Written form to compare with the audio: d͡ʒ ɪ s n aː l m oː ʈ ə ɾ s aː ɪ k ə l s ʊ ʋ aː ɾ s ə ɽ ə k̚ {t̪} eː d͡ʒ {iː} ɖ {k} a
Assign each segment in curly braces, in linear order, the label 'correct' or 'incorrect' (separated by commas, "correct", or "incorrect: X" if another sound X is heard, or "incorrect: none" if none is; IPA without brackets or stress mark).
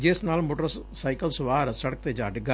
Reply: correct, incorrect: aː, incorrect: ɡ